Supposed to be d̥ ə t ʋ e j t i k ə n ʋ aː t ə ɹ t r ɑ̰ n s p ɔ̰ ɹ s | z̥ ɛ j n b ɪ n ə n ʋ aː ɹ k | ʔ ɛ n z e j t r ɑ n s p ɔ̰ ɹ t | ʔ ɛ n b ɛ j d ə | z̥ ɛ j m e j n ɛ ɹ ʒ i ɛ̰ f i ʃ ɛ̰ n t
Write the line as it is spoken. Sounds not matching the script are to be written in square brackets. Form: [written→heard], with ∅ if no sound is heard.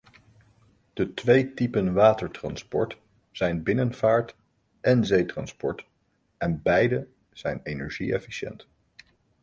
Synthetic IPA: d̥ ə t ʋ e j t i [k→p] ə n ʋ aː t ə ɹ t r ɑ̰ n s p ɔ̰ ɹ [s→t] | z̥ ɛ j n b ɪ n ə n [ʋ→v] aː ɹ [k→t] | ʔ ɛ n z e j t r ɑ n s p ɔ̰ ɹ t | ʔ ɛ n b ɛ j d ə | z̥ ɛ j [m→n] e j n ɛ ɹ ʒ i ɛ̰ f i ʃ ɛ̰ n t